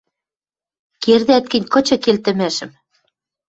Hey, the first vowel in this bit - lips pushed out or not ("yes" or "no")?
no